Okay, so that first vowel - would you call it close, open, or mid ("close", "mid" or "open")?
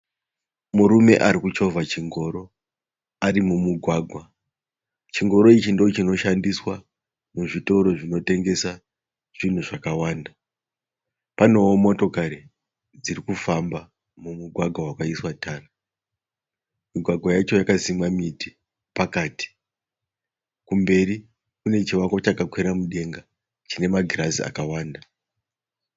close